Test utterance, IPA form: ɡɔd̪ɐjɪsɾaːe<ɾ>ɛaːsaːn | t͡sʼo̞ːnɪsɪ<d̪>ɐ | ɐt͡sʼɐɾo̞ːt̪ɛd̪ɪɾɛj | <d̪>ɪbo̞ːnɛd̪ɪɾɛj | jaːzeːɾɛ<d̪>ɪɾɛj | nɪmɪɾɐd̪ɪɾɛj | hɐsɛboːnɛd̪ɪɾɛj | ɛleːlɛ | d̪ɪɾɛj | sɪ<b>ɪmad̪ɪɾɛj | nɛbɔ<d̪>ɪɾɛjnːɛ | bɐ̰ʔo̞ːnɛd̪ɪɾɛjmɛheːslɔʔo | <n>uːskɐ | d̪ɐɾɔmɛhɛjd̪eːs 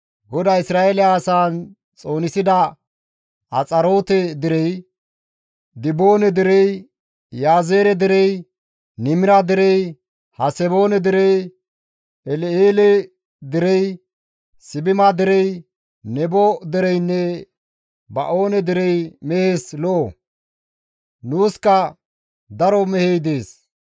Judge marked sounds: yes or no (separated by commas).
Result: no, yes, yes, yes, yes, yes, yes